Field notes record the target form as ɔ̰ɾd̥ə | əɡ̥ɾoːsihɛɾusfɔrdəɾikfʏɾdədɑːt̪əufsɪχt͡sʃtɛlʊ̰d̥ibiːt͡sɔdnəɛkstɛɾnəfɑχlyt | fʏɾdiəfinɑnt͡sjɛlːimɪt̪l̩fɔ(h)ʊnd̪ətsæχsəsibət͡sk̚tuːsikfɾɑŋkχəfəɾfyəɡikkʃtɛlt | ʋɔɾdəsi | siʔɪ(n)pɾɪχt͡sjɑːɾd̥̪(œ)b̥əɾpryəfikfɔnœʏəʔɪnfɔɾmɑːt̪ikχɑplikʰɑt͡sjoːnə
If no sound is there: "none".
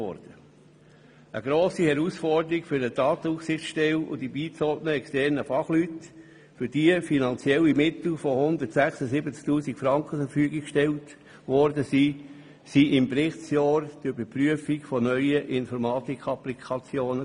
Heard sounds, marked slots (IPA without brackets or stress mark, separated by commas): h, m, y